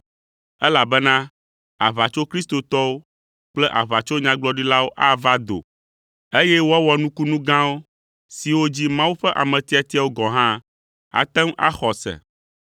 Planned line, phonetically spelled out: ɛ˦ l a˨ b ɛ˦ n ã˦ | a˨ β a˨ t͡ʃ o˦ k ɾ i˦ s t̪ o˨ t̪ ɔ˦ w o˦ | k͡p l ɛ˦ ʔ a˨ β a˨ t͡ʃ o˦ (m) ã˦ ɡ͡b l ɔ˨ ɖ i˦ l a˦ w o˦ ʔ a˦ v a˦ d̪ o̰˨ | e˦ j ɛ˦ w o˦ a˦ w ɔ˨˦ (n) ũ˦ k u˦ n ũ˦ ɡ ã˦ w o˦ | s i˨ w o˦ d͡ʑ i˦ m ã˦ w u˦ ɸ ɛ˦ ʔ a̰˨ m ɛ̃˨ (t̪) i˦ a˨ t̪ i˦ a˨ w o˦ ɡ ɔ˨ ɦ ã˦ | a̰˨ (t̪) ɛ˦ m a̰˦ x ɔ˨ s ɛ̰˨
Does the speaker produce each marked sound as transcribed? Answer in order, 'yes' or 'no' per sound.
no, yes, yes, yes

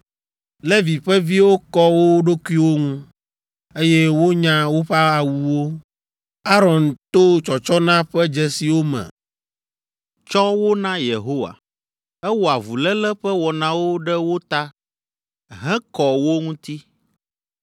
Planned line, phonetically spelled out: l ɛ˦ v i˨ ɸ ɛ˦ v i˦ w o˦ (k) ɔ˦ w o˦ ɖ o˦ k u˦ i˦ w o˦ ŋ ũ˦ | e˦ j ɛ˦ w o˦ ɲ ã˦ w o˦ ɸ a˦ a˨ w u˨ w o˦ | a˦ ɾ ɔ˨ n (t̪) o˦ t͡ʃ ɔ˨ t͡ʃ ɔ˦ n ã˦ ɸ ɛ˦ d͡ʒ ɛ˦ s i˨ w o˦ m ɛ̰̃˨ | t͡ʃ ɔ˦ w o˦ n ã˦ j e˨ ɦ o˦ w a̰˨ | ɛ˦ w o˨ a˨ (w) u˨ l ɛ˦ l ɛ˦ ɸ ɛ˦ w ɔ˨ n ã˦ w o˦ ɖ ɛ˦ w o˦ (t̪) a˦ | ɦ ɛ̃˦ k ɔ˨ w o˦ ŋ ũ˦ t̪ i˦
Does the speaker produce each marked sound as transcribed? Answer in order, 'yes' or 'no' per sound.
yes, yes, no, yes

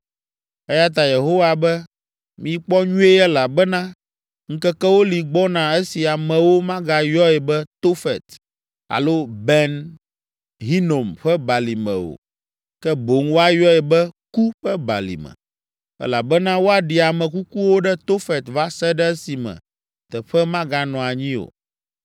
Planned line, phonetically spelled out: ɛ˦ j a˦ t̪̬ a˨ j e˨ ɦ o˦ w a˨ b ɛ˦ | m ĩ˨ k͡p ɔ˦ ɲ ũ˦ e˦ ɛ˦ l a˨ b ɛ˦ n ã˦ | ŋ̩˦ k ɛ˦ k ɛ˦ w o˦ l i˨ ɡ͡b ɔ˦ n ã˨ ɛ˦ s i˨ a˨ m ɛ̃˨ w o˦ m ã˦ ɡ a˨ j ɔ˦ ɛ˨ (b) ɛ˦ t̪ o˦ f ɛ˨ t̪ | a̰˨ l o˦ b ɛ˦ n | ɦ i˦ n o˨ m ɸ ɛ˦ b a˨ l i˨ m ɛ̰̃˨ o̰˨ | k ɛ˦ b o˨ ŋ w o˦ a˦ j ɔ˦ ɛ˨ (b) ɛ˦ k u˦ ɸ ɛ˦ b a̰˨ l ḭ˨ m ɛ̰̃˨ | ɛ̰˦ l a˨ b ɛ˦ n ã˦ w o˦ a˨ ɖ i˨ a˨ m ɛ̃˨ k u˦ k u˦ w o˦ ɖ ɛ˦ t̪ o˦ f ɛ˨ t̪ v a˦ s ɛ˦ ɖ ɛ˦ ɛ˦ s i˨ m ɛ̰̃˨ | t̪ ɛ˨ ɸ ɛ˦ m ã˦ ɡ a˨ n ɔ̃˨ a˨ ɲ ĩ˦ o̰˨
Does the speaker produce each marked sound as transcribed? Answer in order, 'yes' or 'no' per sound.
yes, yes

